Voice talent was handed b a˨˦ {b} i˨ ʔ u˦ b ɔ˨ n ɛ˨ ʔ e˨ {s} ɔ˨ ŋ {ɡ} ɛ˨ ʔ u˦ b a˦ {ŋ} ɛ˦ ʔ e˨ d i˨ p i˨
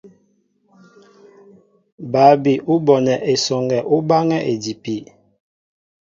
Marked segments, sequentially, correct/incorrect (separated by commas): correct, correct, correct, correct